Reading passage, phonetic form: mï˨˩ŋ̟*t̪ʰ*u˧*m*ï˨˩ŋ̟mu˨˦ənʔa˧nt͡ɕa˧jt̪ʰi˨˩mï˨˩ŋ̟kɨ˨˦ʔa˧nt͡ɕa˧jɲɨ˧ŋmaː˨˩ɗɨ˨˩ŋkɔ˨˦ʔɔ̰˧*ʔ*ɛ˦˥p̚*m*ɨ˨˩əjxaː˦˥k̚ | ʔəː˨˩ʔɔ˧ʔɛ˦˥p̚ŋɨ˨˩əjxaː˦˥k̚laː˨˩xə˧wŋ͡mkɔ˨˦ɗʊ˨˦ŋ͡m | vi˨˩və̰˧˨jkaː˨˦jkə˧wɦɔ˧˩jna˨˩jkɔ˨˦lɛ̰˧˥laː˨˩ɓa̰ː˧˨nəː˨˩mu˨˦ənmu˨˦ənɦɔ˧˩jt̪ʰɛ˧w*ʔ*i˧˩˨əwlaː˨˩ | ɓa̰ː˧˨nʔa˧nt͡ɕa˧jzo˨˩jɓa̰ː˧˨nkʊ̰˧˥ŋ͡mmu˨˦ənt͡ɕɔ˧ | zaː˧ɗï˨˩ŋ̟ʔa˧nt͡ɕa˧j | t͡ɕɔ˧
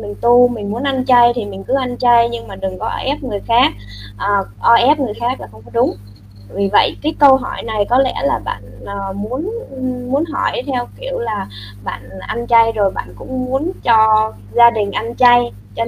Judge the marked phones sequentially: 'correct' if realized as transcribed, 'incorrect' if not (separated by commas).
incorrect, correct, correct, incorrect, incorrect